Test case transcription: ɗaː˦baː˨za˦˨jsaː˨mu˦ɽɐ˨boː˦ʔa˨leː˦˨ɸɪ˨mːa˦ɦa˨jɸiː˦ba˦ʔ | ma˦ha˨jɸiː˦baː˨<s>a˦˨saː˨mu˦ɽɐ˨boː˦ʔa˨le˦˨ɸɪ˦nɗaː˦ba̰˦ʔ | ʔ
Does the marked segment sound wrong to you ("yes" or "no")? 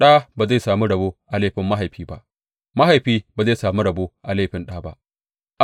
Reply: yes